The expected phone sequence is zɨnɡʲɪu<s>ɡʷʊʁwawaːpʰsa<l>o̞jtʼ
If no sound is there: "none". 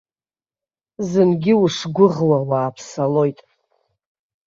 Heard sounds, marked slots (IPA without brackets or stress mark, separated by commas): ʂ, l